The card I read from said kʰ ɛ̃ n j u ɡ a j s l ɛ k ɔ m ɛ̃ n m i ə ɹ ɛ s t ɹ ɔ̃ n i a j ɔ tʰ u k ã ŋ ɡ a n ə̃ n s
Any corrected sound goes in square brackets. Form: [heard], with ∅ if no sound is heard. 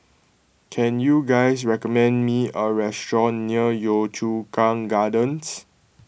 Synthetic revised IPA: kʰ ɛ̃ n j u ɡ a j s [ɹ] ɛ k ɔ m ɛ̃ n m i ə ɹ ɛ s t ɹ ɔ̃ [nː] i [ə] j ɔ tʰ u k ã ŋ ɡ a [d] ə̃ n s